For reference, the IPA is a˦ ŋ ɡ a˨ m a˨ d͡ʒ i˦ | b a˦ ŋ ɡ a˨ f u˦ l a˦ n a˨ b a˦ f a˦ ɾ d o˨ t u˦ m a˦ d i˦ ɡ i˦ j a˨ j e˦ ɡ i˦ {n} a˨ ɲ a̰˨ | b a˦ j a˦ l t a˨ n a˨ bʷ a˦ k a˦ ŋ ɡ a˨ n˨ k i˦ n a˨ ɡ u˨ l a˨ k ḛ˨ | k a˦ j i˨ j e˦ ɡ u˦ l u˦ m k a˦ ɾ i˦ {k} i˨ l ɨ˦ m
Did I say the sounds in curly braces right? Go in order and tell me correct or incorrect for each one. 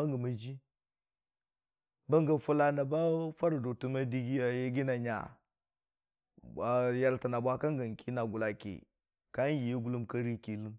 correct, correct

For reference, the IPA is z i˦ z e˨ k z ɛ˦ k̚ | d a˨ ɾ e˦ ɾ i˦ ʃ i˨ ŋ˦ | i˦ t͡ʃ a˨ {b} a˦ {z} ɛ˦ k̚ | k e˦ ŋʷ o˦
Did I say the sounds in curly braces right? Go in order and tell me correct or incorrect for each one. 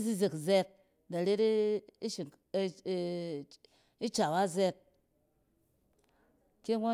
incorrect, correct

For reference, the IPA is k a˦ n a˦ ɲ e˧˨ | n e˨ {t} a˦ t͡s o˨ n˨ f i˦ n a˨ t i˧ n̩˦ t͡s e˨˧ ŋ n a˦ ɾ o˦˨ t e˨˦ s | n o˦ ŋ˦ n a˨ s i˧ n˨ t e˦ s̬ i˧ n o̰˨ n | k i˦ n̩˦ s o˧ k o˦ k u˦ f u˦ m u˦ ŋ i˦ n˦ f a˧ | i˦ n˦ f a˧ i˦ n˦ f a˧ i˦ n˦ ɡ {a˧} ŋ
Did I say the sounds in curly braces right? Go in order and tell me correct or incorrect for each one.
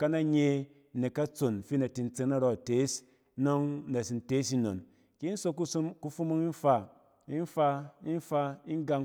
incorrect, correct

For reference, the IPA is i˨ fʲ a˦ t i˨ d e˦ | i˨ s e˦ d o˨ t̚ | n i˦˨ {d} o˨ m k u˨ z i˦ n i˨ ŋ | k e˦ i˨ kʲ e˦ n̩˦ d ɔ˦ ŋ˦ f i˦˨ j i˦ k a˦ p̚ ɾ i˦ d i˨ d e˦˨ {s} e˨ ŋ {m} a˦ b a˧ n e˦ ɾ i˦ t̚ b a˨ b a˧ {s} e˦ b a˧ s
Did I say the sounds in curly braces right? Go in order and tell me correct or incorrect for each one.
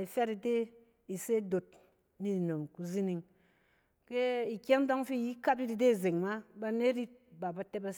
incorrect, incorrect, correct, incorrect

